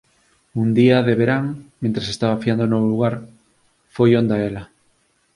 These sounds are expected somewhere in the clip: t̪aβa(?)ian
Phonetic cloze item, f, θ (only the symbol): f